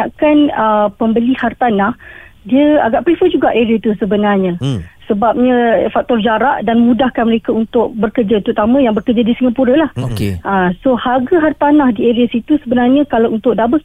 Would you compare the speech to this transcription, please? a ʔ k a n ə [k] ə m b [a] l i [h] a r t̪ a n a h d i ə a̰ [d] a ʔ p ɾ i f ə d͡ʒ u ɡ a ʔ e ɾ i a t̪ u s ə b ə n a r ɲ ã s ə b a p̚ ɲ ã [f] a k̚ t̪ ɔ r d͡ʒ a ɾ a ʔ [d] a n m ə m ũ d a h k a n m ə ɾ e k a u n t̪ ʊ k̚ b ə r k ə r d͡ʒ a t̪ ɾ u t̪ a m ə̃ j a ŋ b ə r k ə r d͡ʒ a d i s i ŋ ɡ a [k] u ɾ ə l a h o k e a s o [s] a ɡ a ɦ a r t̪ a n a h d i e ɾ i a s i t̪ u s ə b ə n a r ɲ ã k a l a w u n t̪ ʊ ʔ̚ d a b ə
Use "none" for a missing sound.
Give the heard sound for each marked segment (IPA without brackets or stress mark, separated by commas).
p, ə, h, ɡ, f, d, p, h